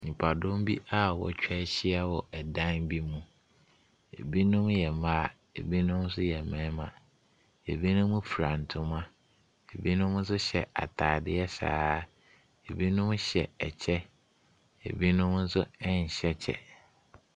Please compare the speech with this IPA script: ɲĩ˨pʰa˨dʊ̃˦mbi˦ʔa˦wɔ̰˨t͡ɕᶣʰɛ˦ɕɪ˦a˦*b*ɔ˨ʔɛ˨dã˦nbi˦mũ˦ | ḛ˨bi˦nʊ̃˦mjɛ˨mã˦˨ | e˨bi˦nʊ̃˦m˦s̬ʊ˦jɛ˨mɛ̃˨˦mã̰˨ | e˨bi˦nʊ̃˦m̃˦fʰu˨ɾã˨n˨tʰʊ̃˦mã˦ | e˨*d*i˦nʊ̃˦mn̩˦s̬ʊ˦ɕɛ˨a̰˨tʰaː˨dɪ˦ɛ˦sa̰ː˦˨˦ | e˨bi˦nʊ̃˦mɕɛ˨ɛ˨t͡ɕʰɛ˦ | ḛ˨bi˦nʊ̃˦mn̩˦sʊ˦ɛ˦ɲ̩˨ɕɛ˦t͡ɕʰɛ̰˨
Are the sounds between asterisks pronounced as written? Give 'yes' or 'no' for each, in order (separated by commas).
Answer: no, no